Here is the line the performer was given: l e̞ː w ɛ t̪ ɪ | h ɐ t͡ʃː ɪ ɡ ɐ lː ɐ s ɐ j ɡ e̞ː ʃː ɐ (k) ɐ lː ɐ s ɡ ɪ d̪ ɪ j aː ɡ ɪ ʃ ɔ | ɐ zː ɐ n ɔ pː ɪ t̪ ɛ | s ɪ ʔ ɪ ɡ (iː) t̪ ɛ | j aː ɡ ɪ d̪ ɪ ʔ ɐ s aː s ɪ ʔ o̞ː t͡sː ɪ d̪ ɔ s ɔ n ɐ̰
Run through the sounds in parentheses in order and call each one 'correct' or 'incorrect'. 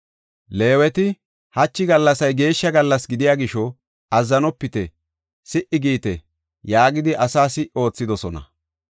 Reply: incorrect, correct

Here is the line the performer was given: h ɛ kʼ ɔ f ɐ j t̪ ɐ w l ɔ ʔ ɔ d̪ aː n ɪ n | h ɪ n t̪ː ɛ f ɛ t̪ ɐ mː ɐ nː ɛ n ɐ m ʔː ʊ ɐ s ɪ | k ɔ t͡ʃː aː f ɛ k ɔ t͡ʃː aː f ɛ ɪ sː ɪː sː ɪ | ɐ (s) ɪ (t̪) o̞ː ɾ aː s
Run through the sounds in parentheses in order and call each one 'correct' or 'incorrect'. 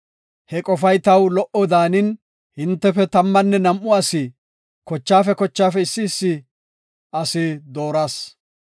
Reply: correct, incorrect

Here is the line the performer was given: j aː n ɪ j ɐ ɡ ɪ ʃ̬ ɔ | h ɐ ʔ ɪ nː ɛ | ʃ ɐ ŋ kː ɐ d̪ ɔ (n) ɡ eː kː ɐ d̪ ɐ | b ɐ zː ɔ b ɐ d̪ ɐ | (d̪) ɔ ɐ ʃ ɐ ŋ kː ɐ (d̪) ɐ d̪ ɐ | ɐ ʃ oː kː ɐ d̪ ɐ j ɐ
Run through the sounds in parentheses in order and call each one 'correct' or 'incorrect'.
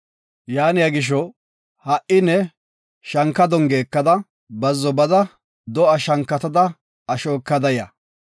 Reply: incorrect, correct, incorrect

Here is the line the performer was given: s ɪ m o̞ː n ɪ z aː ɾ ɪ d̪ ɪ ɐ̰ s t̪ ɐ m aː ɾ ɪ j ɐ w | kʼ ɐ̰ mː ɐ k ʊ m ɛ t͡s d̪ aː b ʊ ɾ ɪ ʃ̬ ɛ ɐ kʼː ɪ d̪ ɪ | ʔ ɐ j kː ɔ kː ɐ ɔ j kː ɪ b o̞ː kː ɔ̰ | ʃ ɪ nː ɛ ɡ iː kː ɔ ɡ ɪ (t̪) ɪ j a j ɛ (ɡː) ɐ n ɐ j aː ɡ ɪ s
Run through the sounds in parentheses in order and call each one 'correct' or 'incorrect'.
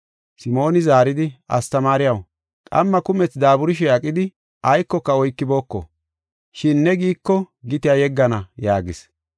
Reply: correct, correct

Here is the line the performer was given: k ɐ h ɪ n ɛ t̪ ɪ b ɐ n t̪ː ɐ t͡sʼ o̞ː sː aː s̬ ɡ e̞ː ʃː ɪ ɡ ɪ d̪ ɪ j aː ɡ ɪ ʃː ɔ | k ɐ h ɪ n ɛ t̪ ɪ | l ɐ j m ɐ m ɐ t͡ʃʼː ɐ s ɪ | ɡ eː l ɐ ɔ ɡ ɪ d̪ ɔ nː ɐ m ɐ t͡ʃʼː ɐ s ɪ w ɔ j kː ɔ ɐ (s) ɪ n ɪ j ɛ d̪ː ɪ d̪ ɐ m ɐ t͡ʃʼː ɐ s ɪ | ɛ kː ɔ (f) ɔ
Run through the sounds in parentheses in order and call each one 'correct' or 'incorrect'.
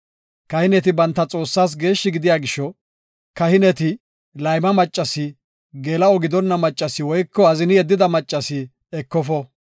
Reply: incorrect, correct

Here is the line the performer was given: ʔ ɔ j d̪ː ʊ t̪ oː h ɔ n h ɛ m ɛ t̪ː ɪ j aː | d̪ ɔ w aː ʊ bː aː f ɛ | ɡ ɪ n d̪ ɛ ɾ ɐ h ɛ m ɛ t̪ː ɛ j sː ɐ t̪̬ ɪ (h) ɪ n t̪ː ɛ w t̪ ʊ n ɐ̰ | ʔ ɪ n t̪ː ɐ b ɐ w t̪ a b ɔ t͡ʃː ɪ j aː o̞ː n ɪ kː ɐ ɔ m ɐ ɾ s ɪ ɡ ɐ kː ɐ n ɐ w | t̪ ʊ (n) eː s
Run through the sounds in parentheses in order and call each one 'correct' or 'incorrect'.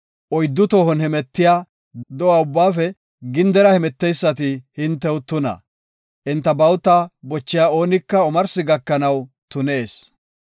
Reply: correct, correct

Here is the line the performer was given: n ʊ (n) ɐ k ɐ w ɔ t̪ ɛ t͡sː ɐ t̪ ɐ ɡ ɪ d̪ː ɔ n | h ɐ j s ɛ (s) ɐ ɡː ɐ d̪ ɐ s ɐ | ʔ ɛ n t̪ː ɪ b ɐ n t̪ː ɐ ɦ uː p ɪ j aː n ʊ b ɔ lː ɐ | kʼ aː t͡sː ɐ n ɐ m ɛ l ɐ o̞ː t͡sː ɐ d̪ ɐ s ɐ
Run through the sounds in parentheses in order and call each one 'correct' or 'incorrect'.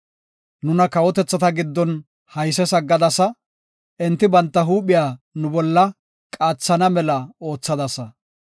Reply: correct, correct

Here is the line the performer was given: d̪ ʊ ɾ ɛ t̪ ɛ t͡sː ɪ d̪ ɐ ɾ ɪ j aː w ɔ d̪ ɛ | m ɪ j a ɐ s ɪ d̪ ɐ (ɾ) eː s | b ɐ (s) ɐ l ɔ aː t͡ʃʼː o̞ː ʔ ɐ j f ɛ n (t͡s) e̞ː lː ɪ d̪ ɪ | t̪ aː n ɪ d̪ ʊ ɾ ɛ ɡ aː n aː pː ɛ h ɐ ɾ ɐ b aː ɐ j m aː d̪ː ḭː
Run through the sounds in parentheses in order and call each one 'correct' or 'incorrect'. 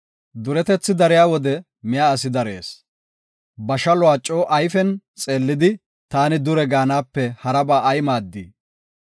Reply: correct, incorrect, incorrect

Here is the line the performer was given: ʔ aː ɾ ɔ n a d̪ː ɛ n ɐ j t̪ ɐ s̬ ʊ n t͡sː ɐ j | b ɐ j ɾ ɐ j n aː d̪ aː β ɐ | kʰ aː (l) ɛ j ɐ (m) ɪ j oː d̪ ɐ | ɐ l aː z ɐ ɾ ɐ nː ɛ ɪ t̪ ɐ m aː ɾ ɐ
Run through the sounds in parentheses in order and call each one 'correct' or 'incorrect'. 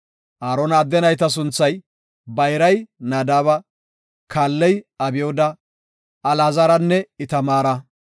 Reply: incorrect, incorrect

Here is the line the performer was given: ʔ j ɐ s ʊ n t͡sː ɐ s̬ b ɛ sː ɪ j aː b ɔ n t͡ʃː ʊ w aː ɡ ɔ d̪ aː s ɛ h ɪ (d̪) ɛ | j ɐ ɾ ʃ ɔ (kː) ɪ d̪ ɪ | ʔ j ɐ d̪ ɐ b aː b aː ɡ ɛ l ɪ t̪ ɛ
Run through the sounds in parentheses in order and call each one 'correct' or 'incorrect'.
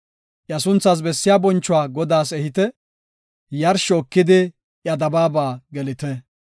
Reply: incorrect, correct

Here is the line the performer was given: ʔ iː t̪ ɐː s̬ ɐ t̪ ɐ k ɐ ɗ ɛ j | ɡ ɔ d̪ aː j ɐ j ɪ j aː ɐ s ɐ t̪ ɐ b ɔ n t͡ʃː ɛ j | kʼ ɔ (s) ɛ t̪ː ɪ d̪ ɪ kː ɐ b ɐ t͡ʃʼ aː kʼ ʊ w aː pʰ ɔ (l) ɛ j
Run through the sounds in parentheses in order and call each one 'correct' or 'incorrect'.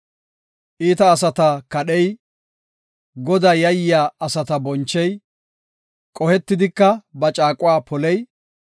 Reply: incorrect, correct

